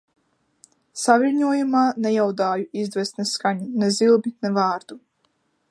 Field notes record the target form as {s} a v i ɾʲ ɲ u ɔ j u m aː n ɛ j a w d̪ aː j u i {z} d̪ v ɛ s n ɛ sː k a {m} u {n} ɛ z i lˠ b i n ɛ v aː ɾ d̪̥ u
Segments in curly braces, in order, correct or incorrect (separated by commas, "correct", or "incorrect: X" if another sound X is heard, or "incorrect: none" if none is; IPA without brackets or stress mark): correct, correct, incorrect: ɲ, correct